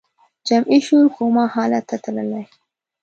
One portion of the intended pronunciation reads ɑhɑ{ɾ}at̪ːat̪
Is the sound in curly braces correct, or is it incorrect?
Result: incorrect